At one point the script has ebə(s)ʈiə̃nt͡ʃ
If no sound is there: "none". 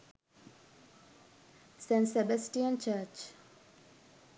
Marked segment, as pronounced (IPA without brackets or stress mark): s